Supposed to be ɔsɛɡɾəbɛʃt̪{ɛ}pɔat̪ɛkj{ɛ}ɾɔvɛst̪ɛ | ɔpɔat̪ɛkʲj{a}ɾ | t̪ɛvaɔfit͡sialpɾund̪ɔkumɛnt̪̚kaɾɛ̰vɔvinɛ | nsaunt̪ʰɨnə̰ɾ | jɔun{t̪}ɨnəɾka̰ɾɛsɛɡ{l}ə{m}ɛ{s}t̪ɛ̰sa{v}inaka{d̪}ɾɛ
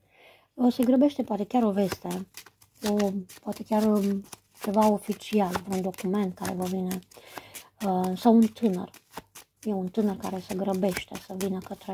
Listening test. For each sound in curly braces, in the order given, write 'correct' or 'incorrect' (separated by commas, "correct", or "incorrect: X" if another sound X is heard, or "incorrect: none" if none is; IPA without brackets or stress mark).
correct, incorrect: a, correct, correct, incorrect: ɾ, incorrect: b, incorrect: ʃ, correct, incorrect: t̪